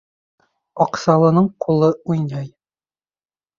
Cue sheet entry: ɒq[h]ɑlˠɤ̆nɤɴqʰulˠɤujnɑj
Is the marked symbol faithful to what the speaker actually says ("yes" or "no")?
no